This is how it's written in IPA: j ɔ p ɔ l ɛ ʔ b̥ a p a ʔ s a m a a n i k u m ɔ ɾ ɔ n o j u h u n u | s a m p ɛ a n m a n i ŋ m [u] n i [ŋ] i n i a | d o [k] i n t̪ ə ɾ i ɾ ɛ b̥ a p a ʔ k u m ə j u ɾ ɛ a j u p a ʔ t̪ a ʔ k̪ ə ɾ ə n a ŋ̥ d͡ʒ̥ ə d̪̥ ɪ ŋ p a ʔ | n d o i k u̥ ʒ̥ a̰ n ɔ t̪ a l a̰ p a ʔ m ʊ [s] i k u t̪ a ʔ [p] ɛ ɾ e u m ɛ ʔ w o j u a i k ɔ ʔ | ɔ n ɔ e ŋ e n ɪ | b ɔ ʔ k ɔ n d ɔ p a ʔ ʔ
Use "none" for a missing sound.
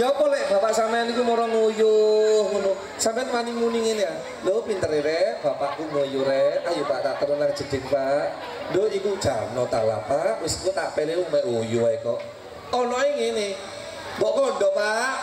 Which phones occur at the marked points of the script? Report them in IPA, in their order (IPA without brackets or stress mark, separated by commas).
u, ŋ, p, s, p